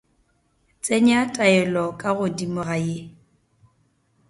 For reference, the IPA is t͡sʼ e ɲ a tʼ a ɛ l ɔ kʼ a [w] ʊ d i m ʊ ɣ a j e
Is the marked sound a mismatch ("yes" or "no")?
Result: yes